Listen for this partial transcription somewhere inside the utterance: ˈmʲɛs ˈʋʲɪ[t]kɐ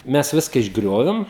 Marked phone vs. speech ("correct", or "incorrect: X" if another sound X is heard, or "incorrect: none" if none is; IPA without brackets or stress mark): incorrect: s